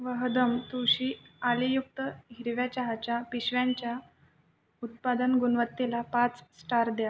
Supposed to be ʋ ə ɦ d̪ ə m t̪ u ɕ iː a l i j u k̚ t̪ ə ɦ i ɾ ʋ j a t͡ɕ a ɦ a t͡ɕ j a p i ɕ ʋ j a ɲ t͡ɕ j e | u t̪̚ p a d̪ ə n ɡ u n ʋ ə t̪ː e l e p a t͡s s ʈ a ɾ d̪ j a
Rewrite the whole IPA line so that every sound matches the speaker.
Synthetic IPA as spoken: ʋ ə ɦ d̪ ə m t̪ u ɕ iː a l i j u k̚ t̪ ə ɦ i ɾ ʋ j a t͡ɕ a ɦ a t͡ɕ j a p i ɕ ʋ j a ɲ t͡ɕ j a | u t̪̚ p a d̪ ə n ɡ u n ʋ ə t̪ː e l a p a t͡s s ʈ a ɾ d̪ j a